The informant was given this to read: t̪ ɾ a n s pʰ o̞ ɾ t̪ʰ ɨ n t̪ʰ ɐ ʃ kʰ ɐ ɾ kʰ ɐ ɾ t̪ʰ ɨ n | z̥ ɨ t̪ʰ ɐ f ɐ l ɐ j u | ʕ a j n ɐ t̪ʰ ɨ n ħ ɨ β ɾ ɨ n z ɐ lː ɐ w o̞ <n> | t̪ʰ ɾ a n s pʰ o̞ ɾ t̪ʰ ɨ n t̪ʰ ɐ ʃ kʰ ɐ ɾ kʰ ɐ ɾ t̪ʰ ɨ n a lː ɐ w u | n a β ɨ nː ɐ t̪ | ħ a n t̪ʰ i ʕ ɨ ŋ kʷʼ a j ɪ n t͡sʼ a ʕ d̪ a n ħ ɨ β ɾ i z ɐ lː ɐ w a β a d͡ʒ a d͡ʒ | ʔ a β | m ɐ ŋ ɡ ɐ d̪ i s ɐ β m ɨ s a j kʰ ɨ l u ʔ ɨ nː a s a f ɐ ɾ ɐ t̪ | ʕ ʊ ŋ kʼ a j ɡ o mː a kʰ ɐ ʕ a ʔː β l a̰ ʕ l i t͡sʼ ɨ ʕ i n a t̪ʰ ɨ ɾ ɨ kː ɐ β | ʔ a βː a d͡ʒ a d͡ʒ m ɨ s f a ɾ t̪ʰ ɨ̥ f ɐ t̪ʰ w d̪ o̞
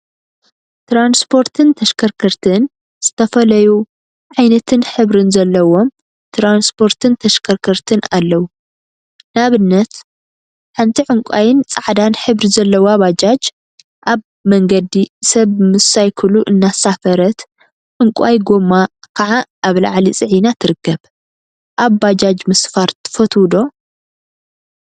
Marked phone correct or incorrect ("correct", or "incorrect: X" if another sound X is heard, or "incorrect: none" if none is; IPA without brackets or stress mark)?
incorrect: m